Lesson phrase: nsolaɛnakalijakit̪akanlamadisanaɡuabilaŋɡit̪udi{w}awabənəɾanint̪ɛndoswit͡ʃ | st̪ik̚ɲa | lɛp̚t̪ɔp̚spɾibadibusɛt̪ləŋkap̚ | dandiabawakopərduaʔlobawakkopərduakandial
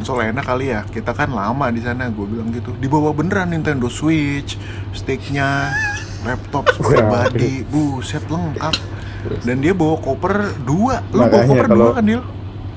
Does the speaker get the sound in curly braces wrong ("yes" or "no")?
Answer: yes